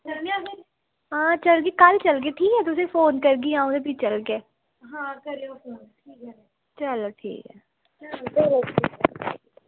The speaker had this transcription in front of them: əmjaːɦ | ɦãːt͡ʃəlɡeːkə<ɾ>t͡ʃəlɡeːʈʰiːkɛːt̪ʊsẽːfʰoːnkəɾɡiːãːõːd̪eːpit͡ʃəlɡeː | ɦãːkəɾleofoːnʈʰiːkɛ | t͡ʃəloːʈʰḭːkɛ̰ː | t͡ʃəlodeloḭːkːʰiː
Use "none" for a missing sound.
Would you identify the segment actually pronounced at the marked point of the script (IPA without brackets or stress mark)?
l